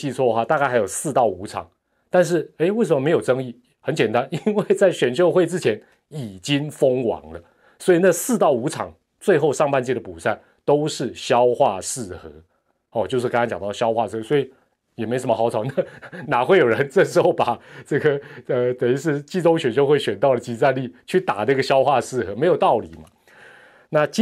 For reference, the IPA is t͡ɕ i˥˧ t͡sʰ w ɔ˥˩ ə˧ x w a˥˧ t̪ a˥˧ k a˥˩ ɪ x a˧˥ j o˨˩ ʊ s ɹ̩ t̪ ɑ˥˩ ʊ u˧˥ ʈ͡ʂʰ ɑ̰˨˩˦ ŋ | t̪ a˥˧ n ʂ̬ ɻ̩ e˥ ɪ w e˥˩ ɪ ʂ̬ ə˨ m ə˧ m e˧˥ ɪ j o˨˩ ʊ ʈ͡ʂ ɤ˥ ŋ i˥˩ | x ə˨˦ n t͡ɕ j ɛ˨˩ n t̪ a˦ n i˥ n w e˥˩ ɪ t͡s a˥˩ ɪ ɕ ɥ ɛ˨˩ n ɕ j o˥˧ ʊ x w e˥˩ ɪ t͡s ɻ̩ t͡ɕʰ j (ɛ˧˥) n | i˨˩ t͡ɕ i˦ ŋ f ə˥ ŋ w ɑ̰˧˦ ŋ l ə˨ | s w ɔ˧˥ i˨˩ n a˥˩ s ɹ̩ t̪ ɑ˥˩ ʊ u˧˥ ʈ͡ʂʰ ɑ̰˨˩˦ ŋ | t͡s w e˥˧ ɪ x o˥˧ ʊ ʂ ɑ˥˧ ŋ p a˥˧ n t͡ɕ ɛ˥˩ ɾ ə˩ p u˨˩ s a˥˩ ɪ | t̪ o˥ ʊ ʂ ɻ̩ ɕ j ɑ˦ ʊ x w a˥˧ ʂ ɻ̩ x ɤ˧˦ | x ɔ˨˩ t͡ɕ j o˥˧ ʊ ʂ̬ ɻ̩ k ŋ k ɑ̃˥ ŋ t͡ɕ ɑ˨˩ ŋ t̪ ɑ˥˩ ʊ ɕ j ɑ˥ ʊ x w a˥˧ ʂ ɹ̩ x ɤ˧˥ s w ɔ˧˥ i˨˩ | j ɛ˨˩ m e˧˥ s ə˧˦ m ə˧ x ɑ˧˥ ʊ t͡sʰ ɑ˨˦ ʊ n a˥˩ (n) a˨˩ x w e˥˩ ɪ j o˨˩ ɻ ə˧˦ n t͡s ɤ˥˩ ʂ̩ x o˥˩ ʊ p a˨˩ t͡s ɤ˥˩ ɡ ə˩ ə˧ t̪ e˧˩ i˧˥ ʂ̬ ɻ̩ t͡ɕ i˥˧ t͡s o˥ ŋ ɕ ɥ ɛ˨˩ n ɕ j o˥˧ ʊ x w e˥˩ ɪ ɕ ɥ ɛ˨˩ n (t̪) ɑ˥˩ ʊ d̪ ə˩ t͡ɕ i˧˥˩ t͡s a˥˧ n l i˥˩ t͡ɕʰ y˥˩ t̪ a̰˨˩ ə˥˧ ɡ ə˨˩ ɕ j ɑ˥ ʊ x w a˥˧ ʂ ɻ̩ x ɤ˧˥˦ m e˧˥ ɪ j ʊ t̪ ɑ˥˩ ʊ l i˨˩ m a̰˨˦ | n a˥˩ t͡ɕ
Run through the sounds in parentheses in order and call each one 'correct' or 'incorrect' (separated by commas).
correct, correct, correct